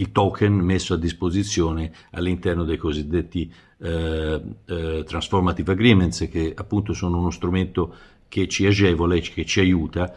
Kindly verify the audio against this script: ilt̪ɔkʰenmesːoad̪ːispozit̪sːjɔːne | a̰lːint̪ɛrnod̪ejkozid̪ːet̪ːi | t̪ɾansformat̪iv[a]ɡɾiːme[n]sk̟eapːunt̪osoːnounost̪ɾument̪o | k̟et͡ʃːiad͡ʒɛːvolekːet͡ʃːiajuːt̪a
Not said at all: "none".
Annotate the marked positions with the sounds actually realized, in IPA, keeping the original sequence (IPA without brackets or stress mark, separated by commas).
a, n